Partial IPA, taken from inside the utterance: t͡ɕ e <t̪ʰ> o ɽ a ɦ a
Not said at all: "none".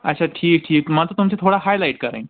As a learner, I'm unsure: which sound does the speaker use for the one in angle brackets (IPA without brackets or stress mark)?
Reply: t̪ʰ